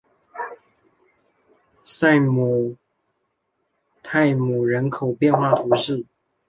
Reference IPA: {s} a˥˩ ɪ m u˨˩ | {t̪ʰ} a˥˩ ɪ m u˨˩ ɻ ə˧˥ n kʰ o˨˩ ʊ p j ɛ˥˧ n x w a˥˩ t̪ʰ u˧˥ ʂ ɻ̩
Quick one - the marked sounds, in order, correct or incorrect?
correct, correct

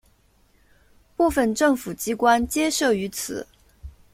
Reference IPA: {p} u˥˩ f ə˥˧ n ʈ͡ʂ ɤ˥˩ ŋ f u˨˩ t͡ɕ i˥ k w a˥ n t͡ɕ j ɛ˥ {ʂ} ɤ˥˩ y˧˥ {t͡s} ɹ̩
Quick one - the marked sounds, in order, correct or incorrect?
correct, correct, incorrect: t͡sʰ

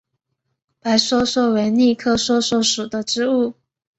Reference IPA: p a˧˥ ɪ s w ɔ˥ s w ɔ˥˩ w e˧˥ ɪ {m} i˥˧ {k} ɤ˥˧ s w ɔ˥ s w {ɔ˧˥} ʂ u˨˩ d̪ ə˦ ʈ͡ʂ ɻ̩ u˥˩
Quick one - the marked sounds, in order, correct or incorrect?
incorrect: n, incorrect: kʰ, incorrect: ɔ˥˩

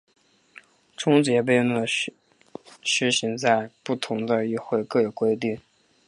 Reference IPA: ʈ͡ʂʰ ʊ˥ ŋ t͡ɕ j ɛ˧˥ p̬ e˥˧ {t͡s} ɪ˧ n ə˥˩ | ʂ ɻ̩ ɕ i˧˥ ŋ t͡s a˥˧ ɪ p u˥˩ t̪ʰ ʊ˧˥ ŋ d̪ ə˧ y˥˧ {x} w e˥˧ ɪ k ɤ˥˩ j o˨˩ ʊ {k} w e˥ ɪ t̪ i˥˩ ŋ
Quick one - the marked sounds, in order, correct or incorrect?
incorrect: none, correct, correct

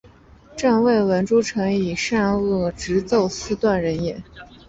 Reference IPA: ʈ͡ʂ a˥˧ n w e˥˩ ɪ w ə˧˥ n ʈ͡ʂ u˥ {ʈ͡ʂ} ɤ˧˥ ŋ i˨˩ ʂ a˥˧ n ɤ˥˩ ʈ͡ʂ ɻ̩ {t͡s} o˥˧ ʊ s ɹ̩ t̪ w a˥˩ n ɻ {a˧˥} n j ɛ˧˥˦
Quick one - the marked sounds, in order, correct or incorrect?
incorrect: ʈ͡ʂʰ, correct, incorrect: ə˧˥

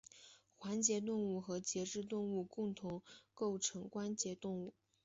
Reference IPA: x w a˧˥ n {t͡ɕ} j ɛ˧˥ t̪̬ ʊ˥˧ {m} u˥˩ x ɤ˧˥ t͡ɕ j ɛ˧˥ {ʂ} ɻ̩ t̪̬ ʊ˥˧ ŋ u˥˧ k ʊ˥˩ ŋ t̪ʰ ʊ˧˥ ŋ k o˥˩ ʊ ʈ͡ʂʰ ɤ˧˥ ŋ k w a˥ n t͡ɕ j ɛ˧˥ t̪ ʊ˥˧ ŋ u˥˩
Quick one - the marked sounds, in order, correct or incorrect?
correct, incorrect: ŋ, incorrect: ʈ͡ʂ

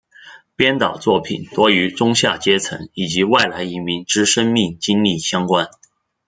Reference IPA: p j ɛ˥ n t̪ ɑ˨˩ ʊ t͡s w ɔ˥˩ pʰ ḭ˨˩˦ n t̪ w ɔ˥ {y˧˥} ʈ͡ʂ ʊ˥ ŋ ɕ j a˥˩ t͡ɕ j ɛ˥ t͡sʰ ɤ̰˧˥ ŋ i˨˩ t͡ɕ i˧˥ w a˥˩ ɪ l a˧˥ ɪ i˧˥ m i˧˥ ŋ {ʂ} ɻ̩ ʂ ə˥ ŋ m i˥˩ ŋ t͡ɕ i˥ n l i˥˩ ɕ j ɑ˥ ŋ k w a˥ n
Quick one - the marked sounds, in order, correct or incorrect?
correct, incorrect: ʈ͡ʂ

